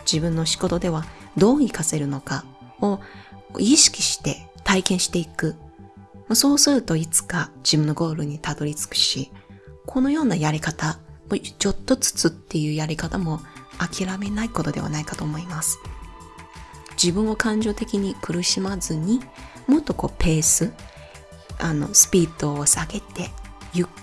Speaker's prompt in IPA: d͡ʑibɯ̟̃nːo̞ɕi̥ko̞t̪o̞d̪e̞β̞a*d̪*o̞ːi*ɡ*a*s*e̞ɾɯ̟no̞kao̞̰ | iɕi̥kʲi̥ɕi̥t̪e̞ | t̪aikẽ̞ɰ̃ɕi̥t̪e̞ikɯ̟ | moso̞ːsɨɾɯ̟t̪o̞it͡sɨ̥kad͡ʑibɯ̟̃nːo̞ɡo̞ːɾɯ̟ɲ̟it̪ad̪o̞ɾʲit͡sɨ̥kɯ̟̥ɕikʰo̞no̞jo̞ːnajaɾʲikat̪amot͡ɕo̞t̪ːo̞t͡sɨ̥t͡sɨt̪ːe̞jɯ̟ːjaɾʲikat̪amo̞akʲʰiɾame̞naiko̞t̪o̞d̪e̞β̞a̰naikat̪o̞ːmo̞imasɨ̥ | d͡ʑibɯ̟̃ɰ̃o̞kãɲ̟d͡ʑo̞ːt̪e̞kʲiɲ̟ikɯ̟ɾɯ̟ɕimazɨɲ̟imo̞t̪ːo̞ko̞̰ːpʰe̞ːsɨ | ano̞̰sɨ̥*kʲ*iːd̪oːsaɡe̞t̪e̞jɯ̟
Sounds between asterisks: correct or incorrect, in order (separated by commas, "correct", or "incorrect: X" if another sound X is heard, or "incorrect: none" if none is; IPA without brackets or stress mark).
correct, incorrect: k, correct, incorrect: pʲ